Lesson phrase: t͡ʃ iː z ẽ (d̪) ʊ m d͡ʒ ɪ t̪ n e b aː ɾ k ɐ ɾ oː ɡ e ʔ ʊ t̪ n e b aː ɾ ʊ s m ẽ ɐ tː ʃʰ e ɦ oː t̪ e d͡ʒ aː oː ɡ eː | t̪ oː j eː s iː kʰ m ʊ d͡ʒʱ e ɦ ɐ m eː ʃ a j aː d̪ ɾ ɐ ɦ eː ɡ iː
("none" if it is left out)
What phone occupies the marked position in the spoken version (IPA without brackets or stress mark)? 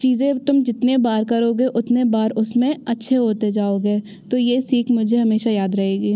t̪